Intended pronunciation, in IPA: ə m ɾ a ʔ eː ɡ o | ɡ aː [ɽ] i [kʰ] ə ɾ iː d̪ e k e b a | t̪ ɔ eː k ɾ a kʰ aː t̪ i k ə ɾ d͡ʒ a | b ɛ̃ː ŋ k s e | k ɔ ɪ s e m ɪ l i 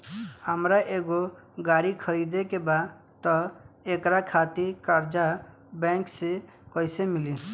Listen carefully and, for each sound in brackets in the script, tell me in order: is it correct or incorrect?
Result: incorrect: ɾ, correct

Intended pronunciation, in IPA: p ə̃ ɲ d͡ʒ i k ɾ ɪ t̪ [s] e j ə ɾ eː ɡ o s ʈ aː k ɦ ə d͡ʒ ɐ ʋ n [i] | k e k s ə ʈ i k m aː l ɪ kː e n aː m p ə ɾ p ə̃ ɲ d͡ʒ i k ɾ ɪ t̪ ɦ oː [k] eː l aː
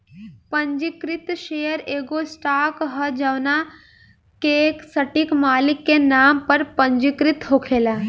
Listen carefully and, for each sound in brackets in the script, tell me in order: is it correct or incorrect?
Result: incorrect: ʃ, incorrect: a, incorrect: kʰ

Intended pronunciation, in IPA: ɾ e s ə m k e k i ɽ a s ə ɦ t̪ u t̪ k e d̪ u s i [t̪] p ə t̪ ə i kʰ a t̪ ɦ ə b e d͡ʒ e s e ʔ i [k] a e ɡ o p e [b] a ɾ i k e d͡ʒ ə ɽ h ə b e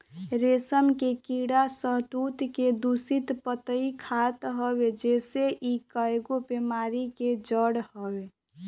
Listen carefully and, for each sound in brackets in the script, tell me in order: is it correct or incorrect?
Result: correct, correct, incorrect: m

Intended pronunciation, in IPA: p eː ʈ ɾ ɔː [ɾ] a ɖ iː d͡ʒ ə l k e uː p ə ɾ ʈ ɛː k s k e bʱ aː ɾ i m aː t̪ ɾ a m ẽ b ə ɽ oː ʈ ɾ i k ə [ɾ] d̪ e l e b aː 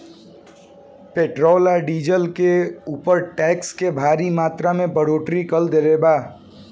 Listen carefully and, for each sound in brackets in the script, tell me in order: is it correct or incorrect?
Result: incorrect: l, incorrect: l

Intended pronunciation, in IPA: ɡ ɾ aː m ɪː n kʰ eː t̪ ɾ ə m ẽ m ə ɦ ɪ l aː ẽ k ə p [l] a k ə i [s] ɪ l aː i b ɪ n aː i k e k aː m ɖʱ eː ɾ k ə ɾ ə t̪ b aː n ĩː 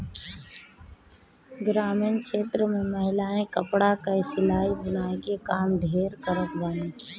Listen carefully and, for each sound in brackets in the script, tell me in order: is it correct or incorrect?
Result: incorrect: ɽ, correct

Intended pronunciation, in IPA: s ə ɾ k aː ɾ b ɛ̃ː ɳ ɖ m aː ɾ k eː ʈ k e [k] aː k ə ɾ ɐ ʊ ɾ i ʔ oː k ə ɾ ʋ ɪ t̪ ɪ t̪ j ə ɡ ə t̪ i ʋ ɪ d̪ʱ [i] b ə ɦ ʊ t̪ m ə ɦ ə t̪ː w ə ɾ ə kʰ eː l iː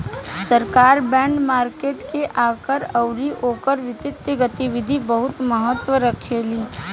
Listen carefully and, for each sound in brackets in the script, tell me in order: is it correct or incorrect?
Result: incorrect: ʔ, correct

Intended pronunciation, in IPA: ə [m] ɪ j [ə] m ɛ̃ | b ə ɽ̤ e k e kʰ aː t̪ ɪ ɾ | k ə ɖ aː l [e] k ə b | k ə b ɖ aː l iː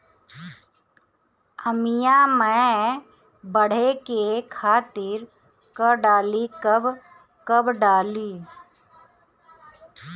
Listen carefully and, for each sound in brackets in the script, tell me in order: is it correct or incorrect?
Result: correct, incorrect: a, incorrect: i

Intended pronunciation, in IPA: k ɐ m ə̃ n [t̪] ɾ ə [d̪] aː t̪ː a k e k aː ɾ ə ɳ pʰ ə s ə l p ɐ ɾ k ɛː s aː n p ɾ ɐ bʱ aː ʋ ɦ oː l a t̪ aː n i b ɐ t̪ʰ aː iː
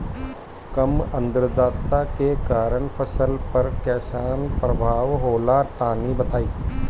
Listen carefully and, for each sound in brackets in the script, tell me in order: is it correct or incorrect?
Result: incorrect: d̪, correct

